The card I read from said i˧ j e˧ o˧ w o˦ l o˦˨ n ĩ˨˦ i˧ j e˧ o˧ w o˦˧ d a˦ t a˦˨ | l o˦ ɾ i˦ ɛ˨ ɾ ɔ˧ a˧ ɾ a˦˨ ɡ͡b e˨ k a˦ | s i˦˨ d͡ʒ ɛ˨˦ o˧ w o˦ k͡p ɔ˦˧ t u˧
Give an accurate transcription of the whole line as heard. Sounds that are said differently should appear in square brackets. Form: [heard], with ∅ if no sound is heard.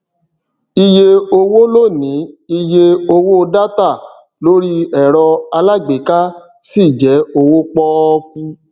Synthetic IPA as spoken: i˧ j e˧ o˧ w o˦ l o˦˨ n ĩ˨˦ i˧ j e˧ o˧ w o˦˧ d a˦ t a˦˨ | l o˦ ɾ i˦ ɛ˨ ɾ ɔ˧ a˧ [l] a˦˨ ɡ͡b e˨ k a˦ | s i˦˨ d͡ʒ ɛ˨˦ o˧ w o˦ k͡p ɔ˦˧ [k] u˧